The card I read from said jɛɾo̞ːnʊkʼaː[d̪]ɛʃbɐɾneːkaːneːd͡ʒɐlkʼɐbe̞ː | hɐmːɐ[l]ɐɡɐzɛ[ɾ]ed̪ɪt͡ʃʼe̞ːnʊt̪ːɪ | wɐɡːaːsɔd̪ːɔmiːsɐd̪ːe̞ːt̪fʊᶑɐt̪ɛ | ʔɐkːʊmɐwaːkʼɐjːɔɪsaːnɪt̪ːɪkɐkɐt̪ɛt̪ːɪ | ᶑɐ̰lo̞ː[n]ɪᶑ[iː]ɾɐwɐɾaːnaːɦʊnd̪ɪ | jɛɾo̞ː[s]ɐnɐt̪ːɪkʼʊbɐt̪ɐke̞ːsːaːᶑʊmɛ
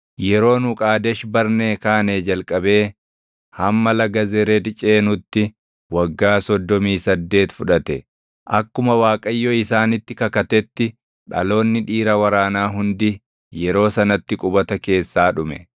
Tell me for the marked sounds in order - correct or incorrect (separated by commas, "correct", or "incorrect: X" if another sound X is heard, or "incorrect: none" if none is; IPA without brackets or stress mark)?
correct, correct, correct, incorrect: nː, correct, correct